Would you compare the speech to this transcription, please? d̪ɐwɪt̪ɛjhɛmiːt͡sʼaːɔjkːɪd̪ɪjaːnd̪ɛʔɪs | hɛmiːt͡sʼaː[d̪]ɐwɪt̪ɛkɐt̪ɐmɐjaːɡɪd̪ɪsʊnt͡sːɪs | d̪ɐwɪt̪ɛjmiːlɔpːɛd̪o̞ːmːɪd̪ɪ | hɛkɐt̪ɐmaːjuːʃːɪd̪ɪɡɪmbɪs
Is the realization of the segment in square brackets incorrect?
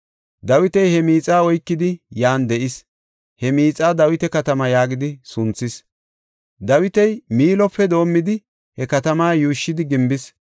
no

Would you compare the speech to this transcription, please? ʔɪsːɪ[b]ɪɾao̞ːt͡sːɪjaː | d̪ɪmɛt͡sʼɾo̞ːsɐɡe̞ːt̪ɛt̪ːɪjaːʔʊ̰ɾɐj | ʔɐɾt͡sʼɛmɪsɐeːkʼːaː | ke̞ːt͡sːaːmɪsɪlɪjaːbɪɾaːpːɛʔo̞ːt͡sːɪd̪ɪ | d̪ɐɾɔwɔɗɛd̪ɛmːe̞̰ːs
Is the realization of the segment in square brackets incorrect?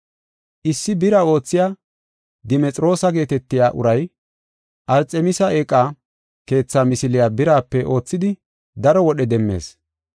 no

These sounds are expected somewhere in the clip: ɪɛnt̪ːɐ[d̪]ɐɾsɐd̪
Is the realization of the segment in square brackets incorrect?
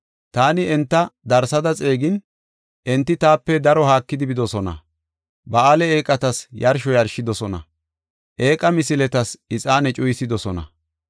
no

